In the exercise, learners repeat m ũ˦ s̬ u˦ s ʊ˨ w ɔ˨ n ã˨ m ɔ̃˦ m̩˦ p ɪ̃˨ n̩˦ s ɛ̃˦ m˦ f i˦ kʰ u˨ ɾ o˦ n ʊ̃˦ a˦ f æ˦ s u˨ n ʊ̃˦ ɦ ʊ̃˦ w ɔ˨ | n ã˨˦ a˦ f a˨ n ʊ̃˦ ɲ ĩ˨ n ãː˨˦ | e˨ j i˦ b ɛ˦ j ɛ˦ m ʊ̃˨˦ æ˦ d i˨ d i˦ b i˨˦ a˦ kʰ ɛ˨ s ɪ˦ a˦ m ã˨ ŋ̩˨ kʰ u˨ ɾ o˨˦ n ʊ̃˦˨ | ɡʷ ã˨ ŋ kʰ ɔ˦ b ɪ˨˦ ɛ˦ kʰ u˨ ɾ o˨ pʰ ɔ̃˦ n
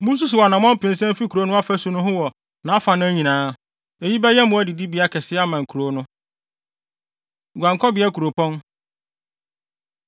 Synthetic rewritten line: m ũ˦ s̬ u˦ s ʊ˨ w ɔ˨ n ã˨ m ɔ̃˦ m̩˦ p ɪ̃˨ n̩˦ s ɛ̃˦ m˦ f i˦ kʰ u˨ ɾ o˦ n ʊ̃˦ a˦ f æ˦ s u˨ n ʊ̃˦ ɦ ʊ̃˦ w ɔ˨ | n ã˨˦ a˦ f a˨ n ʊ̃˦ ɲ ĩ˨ n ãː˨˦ | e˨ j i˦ b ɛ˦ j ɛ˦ m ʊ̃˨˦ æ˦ d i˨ d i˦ b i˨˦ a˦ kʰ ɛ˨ s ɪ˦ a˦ m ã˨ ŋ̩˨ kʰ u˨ ɾ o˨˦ n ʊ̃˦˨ | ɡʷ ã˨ ŋ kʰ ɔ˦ b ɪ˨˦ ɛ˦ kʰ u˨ ɾ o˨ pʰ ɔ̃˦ n